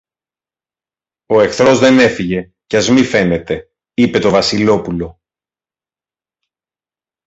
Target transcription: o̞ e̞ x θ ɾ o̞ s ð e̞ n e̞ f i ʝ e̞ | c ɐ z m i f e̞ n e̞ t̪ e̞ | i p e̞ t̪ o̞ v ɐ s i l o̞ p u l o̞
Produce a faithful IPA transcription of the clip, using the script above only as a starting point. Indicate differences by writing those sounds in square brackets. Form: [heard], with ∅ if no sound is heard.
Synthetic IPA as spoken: o̞ e̞ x θ ɾ o̞ [z] ð e̞ n e̞ f i ʝ e̞ | c ɐ z m i f e̞ n e̞ t̪ e̞ | i p e̞ t̪ o̞ v ɐ s i l o̞ p u l o̞

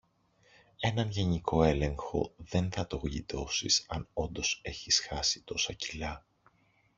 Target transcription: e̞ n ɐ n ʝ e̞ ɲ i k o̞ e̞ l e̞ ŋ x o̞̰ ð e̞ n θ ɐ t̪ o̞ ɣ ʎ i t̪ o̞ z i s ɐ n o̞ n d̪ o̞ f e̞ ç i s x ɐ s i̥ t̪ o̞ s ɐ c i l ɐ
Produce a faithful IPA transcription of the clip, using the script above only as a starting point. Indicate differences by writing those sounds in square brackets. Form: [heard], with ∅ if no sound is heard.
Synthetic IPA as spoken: e̞ n ɐ n ʝ e̞ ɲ i k o̞ e̞ l e̞ ŋ x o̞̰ ð e̞ n θ ɐ t̪ o̞ ɣ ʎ i t̪ o̞ [s] i s ɐ n o̞ n d̪ o̞ [s] e̞ ç i s x ɐ s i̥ t̪ o̞ s ɐ c i l ɐ

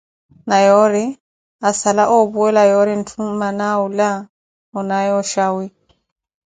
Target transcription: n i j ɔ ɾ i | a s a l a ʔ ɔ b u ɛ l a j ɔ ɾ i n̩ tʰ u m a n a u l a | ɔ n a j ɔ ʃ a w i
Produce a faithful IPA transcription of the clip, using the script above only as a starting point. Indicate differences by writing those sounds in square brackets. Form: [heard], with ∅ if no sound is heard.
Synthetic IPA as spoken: n [a] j ɔ ɾ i | a s a l a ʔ ɔ b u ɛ l a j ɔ ɾ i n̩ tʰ u m a n a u l a | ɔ n a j ɔ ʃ a w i

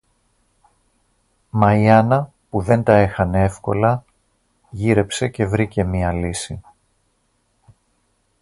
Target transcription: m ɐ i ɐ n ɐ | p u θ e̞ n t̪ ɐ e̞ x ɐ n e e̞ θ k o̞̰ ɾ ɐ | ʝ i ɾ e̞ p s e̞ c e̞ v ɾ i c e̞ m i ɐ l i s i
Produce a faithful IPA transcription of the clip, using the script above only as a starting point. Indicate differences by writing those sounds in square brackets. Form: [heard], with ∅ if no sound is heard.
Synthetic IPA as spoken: m ɐ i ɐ n ɐ | p u [ð] e̞ n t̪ ɐ e̞ x ɐ n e e̞ [f] k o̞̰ [l] ɐ | ʝ i ɾ e̞ p s e̞ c e̞ v ɾ i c e̞ m i ɐ l i s i

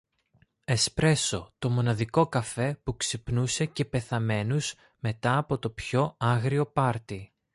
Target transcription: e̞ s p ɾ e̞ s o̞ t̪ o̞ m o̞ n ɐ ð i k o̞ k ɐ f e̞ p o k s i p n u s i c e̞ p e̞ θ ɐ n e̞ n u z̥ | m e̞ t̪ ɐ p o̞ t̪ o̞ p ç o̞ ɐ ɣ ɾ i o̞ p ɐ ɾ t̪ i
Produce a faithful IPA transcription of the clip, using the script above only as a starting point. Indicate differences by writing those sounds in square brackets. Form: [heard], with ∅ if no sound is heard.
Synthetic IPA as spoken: e̞ s p ɾ e̞ s o̞ t̪ o̞ m o̞ n ɐ ð i k o̞ k ɐ f e̞ p [u] k s i p n u s [e] c e̞ p e̞ θ ɐ [m] e̞ n u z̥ | m e̞ t̪ [ɐː] p o̞ t̪ o̞ p ç o̞ ɐ ɣ ɾ i o̞ p ɐ ɾ t̪ i

